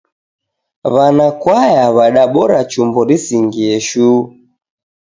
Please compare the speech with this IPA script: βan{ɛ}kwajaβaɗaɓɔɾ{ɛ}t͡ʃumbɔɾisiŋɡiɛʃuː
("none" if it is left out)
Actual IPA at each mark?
a, a

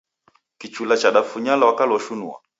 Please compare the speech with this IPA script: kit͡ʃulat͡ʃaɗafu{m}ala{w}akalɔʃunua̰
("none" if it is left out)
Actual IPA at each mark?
ɲ, w

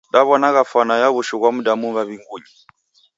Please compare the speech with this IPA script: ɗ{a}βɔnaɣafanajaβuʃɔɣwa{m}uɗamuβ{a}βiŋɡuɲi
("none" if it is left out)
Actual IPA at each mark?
a, m, a

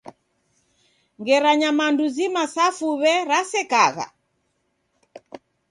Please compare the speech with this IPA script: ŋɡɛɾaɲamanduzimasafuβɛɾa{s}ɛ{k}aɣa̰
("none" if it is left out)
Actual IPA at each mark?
s, k

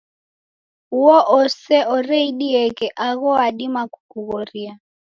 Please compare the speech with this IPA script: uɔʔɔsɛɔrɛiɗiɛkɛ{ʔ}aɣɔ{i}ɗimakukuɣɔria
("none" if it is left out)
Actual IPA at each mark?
ʔ, a

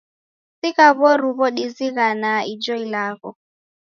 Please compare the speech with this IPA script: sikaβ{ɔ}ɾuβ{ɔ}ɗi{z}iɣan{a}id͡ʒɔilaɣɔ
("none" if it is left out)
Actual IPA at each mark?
ɔ, ɔ, z, a

